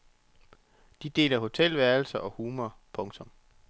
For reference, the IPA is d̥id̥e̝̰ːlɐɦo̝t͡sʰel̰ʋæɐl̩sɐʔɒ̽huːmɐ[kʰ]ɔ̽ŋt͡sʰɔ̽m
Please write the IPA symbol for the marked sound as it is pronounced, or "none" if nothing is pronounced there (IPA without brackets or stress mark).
pʰ